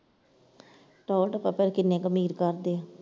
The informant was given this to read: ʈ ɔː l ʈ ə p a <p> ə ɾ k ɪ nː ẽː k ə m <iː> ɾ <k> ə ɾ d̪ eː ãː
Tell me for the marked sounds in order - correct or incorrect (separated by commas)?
correct, correct, correct